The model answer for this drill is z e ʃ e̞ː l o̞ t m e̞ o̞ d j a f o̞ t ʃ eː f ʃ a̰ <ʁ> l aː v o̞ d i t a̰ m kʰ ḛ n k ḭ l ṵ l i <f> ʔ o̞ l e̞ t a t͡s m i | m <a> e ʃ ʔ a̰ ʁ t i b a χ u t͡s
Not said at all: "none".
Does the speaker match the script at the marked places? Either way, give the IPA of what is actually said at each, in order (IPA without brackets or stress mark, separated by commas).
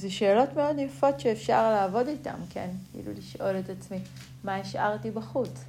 ʁ, ʃ, a